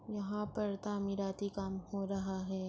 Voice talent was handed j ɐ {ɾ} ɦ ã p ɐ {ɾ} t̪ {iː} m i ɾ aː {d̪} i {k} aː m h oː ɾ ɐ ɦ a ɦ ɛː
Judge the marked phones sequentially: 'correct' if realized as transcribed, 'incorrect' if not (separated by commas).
incorrect, correct, incorrect, incorrect, correct